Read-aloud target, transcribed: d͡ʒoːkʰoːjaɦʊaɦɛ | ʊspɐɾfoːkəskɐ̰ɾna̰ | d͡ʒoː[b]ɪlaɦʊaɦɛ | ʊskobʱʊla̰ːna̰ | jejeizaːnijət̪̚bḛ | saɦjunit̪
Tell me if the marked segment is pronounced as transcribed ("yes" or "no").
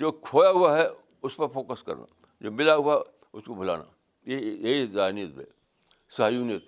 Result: no